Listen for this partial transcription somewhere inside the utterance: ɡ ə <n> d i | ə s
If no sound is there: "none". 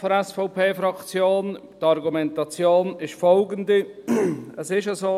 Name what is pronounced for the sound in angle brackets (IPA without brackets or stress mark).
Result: n